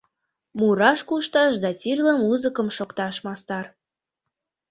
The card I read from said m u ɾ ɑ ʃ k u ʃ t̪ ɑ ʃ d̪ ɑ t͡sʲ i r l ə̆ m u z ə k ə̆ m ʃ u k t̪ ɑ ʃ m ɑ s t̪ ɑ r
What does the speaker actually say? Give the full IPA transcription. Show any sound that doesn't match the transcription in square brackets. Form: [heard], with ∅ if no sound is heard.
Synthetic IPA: m u ɾ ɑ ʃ k u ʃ t̪ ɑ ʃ d̪ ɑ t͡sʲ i r l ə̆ m u z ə k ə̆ m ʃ [o] k t̪ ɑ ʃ m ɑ s t̪ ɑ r

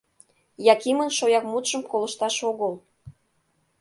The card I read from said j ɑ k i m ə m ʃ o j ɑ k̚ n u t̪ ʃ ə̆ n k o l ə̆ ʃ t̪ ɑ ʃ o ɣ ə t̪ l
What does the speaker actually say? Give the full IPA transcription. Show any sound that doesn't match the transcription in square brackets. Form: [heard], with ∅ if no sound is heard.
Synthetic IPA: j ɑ k i m ə [n] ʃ o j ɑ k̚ [m] u t̪ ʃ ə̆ [m] k o l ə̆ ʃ t̪ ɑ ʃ o ɣ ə [∅] l

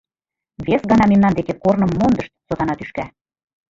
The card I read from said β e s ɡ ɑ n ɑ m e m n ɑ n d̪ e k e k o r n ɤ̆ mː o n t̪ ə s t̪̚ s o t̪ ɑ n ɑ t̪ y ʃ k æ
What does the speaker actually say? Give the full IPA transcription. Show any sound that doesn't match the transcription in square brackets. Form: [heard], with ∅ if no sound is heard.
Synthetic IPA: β e s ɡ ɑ n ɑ m e m n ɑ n d̪ e k e k o r n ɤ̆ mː o n [d̪] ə [ʃ] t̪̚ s o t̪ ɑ n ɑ t̪ y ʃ k æ

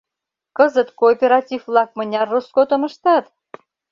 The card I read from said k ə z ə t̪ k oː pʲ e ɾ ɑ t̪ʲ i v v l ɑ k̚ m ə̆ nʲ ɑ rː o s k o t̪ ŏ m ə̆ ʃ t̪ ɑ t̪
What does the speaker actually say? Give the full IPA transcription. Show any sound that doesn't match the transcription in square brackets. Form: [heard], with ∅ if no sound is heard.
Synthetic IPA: k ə z ə t̪ k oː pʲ e ɾ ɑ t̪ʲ i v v l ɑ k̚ m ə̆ nʲ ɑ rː o s k o t̪ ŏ m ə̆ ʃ t̪ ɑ t̪

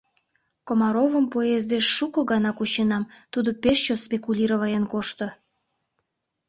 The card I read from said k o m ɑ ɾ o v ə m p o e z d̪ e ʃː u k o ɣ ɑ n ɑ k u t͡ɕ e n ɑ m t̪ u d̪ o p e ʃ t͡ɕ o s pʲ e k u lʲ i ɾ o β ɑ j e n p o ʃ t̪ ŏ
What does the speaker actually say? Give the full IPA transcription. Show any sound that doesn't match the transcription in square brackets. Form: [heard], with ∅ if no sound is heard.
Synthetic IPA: k o m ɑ ɾ o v ə m p o e z d̪ e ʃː u k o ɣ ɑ n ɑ k u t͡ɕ e n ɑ m t̪ u d̪ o p e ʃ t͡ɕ o s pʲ e k u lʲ i ɾ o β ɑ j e n [k] o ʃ t̪ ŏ

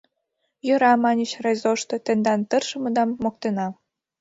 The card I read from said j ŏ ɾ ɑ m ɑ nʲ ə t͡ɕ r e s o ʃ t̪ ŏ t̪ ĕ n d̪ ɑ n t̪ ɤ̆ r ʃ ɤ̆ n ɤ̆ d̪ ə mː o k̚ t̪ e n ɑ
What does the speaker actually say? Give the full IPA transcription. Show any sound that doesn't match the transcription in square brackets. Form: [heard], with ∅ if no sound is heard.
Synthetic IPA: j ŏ ɾ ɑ m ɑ nʲ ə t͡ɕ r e [z] o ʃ t̪ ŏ t̪ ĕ n d̪ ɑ n t̪ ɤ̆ r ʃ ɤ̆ [m] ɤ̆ d̪ [ɑ] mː o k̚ t̪ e n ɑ

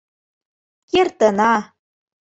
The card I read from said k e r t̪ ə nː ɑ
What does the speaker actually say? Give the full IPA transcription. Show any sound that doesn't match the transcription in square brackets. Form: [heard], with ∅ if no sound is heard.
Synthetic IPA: k e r t̪ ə [n] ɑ

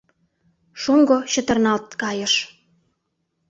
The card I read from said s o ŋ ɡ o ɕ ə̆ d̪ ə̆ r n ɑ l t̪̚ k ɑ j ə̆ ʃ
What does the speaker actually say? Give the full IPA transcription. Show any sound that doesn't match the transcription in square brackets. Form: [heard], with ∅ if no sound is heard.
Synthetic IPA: [ʃ] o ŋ ɡ o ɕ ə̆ [t̪] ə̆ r n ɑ l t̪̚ k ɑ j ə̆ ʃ

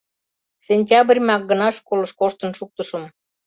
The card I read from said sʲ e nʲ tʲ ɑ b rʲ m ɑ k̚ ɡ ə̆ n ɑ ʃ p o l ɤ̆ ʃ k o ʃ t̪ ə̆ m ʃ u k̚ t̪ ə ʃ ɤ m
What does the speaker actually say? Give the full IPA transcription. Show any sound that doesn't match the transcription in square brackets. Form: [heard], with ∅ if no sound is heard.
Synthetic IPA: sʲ e nʲ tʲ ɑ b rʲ m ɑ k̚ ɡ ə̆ n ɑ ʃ [k] o l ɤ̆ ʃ k o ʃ t̪ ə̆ [n] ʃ u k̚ t̪ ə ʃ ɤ m

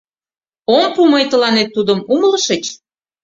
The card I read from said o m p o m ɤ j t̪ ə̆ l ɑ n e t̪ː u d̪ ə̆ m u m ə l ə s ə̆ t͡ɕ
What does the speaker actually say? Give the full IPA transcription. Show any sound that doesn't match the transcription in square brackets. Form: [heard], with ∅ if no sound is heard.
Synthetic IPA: o m p [u] m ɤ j t̪ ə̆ l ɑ n e t̪ː u d̪ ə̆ m u m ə l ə [ʃ] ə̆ t͡ɕ

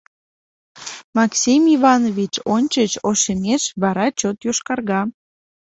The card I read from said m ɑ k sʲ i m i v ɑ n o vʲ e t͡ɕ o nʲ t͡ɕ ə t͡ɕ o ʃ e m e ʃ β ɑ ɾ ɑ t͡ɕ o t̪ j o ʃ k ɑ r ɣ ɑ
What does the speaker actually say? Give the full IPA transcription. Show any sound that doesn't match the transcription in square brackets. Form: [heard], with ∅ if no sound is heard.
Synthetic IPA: m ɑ k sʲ i m i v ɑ n o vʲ [i] t͡ɕ o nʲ t͡ɕ ə t͡ɕ o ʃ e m e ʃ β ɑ ɾ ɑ t͡ɕ o t̪ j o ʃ k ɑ r ɣ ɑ

